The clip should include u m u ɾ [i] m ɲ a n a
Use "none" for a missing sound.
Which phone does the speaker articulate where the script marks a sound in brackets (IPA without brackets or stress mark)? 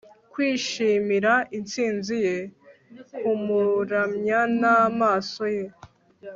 a